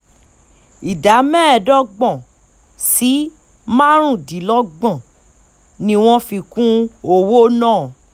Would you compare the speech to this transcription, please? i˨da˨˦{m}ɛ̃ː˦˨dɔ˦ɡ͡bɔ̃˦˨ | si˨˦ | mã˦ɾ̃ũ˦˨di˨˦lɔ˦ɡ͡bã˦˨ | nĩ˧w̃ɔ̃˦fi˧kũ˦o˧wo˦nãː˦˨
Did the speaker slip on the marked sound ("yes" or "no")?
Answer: no